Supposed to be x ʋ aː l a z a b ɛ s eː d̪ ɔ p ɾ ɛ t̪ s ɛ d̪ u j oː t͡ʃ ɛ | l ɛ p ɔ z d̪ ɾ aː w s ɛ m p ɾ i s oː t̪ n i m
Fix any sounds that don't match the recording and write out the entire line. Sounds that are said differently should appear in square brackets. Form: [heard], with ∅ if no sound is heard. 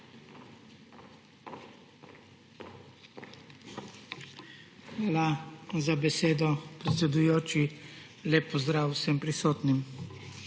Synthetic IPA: x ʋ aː l a z a b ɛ s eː d̪ ɔ p ɾ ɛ t̪ s ɛ d̪ u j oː t͡ʃ [i] | l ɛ p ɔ z d̪ ɾ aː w s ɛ m p ɾ i s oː t̪ n i m